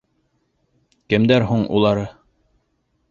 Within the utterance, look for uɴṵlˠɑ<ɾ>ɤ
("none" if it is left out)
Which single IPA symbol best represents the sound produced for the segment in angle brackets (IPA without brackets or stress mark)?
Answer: ɾ